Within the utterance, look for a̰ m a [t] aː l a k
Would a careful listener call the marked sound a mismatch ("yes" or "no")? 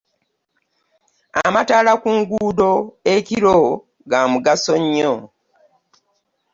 no